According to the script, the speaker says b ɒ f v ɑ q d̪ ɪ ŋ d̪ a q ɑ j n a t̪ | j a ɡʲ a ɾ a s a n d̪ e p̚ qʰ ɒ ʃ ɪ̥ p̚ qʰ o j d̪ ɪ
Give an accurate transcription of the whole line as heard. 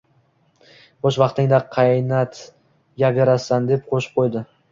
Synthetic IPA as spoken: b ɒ ʃ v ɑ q t̪ ɪ ŋ d̪ a qʰ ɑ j n a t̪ | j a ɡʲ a ɾ a s a n d̪ e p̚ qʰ o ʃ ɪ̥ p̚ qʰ o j d̪ ɪ

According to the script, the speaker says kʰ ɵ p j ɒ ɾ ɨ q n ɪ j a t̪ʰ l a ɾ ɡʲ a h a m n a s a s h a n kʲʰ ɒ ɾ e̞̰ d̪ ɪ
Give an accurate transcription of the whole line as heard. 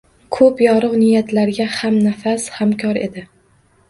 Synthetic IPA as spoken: kʰ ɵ p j ɒ ɾ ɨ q n ɪ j a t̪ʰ l a ɾ ɡʲ a h a m n a f a s h a m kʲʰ ɒ ɾ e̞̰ d̪ ɪ

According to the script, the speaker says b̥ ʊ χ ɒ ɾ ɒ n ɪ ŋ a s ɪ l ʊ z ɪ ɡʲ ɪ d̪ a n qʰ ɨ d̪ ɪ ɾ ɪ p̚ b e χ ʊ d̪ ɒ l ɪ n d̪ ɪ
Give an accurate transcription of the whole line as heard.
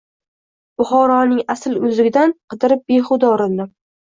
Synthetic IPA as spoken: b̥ ʊ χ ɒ ɾ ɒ n ɪ ŋ a s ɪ l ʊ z ɪ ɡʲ ɪ d̪ a n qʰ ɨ d̪ ɪ ɾ ɪ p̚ b e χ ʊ d̪ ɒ ɾ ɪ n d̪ ɪ

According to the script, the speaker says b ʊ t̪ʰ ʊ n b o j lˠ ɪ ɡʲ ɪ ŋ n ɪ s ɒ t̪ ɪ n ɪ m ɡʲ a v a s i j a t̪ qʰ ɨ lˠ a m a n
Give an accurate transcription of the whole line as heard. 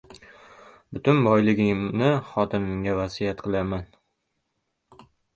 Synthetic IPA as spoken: b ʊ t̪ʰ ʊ n b ɒ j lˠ ɪ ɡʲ ɪ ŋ n ɪ χ ɒ t̪ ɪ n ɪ ŋ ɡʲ a v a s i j a t̪ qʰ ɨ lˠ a m a n

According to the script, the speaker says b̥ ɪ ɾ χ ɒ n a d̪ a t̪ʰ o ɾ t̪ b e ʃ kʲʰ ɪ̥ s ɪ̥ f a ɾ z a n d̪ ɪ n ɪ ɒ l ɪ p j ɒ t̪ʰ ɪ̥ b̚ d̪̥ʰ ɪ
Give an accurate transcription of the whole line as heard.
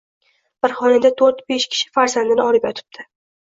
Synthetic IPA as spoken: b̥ ɪ ɾ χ ɒ n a d̪ a t̪ʰ o ɾ t̪ b e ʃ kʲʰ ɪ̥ ʃ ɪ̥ f a ɾ z a n d̪ ɪ n ɪ ɒ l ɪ p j ɒ t̪ʰ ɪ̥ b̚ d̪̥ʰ ɪ

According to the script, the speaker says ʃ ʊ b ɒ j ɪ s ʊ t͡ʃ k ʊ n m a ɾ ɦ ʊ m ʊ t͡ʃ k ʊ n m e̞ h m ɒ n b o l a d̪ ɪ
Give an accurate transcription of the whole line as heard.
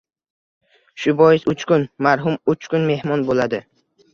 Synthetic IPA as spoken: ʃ ʊ b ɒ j ɪ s ʊ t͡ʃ k ʊ n m a ɾ ɦ ʊ m ʊ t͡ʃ k ʊ n m e̞ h m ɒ n b o l a d̪ ɪ

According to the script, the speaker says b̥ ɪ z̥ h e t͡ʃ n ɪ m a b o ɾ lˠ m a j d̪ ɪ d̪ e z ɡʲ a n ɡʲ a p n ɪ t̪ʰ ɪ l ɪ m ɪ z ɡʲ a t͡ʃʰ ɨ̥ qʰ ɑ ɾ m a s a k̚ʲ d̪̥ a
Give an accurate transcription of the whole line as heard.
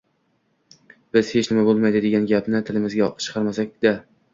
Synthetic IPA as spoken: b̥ ɪ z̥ h e t͡ʃ n ɪ m a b o lˠ m a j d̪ ɪ d̪ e ɡʲ a n ɡʲ a p n ɪ t̪ʰ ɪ l ɪ m ɪ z ɡʲ a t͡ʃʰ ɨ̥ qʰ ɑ ɾ m a s a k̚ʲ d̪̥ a

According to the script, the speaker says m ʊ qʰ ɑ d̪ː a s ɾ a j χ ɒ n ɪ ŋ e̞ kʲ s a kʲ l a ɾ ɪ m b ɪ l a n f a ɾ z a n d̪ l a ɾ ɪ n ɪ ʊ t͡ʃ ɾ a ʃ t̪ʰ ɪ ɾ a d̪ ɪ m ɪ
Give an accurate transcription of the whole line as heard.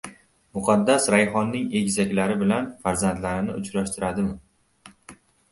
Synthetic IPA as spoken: m ʊ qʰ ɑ d̪ː a s ɾ a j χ ɒ nː ɪ ŋ e̞ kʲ z a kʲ l a ɾ ɪ b ɪ l a n f a ɾ z a n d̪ l a ɾ ɪ n ɪ ʊ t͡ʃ ɾ a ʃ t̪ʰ ɪ ɾ a d̪ ɪ m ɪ

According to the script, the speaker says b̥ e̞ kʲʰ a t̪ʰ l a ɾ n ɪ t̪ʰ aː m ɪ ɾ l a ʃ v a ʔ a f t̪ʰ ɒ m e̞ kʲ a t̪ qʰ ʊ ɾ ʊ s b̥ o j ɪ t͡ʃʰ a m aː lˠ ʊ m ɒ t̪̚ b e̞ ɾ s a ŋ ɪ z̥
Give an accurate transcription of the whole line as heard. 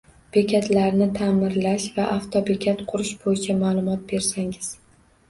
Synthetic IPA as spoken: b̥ e̞ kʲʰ a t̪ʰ l a ɾ n ɪ t̪ʰ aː m ɪ ɾ l a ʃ v a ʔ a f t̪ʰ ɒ b e̞ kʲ a t̪ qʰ ʊ ɾ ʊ ʃ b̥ o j ɪ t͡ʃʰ a m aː lˠ ʊ m ɒ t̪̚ b e̞ ɾ s a ŋ ɪ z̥

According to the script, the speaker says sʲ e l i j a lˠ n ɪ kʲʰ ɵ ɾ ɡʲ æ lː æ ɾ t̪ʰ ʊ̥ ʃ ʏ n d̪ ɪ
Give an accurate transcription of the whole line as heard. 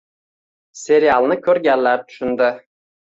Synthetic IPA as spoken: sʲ e ɾ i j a lˠ n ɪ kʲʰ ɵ ɾ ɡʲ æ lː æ ɾ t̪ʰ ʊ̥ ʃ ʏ n d̪ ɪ

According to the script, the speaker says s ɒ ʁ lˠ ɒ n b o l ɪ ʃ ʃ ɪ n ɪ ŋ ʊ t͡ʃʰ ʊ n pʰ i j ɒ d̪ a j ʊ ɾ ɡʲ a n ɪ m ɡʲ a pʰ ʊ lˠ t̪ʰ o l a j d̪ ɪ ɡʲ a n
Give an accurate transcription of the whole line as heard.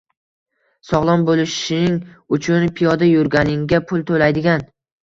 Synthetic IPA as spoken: s ɒ ʁ lˠ ɒ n b o l ɪ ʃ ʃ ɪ n ɪ ŋ ʊ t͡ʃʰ ʊ n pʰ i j ɒ d̪ a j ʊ ɾ ɡʲ a n ɪ ŋ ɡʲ a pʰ ʊ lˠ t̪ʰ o l a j d̪ ɪ ɡʲ a n

